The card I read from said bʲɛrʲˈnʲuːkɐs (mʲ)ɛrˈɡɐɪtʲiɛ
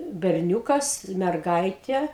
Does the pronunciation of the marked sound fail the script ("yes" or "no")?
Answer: no